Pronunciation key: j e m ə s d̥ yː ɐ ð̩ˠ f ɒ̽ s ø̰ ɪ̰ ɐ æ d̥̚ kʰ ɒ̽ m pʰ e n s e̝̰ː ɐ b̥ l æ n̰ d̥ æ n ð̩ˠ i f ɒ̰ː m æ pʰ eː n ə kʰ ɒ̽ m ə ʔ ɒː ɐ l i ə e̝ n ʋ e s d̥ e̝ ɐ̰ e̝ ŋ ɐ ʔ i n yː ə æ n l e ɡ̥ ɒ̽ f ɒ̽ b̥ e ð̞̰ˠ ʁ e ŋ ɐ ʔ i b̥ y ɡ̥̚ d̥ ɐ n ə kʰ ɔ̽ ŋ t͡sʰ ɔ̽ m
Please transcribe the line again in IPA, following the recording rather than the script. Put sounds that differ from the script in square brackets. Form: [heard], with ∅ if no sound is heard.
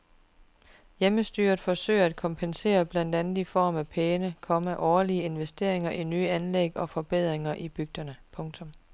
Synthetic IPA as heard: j e m ə s d̥ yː ɐ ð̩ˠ f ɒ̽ s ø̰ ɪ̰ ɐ æ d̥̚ kʰ ɒ̽ m pʰ e n s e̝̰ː ɐ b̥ l æ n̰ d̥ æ n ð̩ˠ i f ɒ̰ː m æ pʰ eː n ə kʰ ɒ̽ m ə ʔ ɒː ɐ l i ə e̝ n ʋ e s d̥ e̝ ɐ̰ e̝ ŋ ɐ ʔ i n yː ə æ n l e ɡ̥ ɒ̽ f ɒ̽ b̥ e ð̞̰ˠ ʁ e ŋ ɐ ʔ i b̥ y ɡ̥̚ d̥ ɐ n ə [pʰ] ɔ̽ ŋ t͡sʰ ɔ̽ m